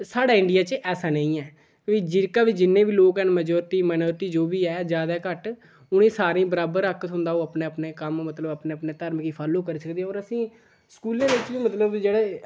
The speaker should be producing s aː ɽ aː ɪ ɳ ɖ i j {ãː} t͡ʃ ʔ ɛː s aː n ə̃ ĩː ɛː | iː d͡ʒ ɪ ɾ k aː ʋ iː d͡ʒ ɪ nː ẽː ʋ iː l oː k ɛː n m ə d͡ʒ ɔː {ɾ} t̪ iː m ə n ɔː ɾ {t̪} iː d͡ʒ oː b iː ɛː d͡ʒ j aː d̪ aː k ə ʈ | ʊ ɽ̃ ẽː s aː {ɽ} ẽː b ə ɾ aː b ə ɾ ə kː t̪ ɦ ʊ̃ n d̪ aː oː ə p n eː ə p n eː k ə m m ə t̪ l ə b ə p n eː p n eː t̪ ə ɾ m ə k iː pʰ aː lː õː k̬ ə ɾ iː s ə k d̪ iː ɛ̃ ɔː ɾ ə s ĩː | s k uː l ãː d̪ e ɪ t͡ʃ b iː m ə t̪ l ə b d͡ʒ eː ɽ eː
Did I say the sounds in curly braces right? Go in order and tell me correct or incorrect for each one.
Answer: incorrect: aː, correct, correct, incorrect: ɾ

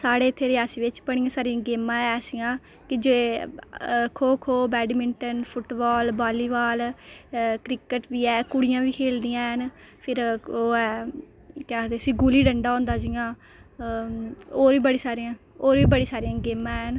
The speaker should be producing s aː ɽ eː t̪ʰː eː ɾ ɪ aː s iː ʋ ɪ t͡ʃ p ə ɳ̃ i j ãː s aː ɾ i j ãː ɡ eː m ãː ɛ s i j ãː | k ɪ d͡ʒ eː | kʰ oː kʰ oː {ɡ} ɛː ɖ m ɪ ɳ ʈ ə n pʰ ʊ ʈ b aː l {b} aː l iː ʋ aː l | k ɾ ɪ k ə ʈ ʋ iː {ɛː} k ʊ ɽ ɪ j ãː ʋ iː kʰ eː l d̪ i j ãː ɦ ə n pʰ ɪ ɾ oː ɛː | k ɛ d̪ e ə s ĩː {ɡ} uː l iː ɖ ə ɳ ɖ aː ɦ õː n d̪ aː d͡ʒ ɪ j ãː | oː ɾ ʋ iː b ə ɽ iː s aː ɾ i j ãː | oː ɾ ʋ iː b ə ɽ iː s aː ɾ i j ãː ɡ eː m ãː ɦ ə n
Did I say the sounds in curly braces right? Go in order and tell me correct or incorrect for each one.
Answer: incorrect: b, correct, correct, correct

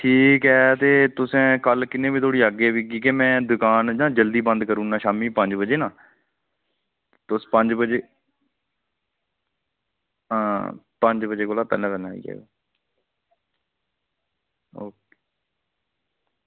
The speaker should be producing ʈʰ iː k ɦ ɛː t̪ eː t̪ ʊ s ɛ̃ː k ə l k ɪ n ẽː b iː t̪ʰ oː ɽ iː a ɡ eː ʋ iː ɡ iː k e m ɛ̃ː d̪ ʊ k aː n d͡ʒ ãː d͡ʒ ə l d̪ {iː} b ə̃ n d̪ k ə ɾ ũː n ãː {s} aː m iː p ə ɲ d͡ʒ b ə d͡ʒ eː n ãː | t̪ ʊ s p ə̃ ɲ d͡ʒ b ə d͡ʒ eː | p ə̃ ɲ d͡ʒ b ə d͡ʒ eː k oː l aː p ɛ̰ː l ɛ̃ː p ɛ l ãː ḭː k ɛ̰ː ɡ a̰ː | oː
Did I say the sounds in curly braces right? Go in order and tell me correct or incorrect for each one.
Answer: correct, incorrect: ʃ

